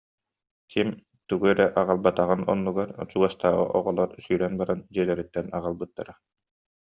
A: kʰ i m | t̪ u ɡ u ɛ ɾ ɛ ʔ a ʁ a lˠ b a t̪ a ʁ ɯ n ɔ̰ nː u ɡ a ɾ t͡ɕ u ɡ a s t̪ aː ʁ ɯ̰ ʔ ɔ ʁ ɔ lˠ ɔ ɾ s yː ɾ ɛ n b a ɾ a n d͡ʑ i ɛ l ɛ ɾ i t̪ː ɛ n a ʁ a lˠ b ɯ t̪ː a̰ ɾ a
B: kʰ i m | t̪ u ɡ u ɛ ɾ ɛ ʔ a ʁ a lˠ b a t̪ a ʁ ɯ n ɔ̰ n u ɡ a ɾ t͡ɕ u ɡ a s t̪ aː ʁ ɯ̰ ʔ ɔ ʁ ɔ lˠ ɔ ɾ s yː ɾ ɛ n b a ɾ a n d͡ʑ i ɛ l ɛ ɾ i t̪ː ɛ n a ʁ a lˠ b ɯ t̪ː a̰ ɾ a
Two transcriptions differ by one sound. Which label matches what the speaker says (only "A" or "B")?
A